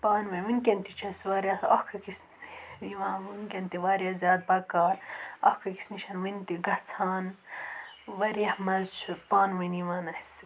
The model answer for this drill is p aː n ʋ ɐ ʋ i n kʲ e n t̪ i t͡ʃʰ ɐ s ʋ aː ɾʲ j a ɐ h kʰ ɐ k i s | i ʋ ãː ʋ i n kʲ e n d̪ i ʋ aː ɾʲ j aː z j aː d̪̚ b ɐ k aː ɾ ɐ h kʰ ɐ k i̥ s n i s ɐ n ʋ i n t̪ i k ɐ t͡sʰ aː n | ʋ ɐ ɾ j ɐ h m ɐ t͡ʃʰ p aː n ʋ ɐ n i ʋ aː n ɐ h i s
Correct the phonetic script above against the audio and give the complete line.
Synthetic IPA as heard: p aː n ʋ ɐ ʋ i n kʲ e n t̪ i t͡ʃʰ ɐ s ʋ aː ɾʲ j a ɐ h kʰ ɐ k i s | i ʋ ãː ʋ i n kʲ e n t̪ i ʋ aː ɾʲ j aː z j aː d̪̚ b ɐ k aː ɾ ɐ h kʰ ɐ k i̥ s n i ʃ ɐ n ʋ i n t̪ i ɡ ɐ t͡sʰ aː n | ʋ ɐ ɾ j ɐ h m ɐ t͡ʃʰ p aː n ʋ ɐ n i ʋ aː n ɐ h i s